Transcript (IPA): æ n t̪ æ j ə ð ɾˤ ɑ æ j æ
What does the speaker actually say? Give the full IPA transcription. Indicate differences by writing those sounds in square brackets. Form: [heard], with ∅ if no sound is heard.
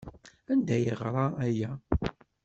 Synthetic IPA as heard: æ n [d̪] æ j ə [ʁ] ɾˤ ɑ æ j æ